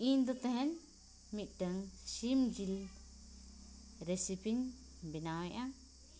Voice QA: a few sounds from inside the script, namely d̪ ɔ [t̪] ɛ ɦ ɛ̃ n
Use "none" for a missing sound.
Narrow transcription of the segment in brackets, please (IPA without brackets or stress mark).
t̪